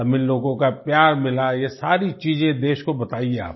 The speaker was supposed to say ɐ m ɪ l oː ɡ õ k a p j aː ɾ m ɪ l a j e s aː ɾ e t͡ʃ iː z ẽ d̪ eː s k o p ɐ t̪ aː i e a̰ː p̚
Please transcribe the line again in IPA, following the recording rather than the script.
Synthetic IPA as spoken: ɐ m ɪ l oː ɡ õ k a p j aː ɾ m ɪ l a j e s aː ɾ i t͡ʃ iː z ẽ d̪ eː ʃ k o b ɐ t̪ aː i e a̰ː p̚

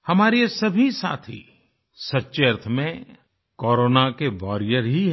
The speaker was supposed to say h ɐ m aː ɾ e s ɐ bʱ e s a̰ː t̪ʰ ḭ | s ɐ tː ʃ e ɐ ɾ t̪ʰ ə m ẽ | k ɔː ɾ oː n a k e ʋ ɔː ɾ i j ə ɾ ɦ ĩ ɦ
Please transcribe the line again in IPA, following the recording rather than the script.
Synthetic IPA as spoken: h ɐ m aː ɾ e s ɐ bʱ i s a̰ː t̪ʰ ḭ | s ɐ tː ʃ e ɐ ɾ t̪ʰ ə m ẽ | k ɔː ɾ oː n a k e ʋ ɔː ɾ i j ə ɾ ɦ i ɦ

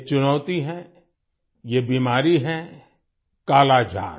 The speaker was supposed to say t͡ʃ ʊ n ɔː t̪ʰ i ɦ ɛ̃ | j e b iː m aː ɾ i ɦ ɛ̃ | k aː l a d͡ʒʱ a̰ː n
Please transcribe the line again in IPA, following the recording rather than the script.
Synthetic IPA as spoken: t͡ʃ ʊ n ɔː t̪ i ɦ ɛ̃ | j e b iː m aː ɾ i ɦ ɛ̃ | k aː l a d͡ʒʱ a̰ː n

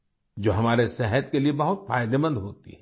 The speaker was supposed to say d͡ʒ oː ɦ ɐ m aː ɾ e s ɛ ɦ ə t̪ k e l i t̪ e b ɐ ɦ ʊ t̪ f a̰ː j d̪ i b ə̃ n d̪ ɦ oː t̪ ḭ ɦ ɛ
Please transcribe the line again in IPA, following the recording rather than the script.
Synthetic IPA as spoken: d͡ʒ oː ɦ ɐ m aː ɾ e s ɛ ɦ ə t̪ k e l i e b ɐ ɦ ʊ t̪ f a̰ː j d̪ e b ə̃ n d̪ ɦ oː t̪ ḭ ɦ ɛ

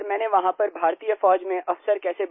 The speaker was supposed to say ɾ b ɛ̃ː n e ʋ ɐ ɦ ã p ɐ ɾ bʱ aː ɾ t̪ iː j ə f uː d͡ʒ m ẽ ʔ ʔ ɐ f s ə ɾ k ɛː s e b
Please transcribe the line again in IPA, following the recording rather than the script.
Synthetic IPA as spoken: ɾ m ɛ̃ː n e ʋ ɐ ɦ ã p ɐ ɾ bʱ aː ɾ t̪ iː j ə f ɔː d͡ʒ m ẽ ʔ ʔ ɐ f s ə ɾ k ɛː s e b

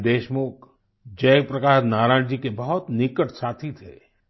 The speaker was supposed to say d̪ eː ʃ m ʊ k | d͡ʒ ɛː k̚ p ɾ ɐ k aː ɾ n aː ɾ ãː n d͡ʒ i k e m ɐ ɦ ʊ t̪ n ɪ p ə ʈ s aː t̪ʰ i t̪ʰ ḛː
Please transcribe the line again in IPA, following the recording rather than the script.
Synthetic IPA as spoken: d̪ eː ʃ m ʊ k | d͡ʒ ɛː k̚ p ɾ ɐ k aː ɾ n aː ɾ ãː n d͡ʒ i k e b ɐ ɦ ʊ t̪ n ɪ k ə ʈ s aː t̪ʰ i t̪ʰ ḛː

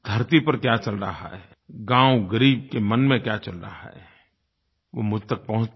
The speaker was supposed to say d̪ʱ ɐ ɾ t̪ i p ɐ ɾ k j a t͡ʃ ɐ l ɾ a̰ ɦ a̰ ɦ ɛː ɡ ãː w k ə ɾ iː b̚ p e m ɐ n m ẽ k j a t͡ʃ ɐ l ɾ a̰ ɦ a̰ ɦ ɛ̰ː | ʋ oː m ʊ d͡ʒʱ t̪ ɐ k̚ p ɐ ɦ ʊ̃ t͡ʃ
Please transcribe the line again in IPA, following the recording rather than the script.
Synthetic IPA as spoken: d̪ʱ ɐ ɾ t̪ i p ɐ ɾ k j a t͡ʃ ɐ l ɾ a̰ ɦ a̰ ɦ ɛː ɡ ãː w ɡ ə ɾ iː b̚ k e m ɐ n m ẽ k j a t͡ʃ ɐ l ɾ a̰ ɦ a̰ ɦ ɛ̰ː | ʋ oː m ʊ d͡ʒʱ t̪ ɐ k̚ p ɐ ɦ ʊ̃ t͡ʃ

